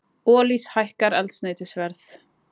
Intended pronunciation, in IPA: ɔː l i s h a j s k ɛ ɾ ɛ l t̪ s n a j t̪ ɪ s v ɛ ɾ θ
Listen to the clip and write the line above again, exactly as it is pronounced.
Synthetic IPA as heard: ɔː l i s h a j h k a ɾ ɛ l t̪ s n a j t̪ ɪ s v ɛ ɾ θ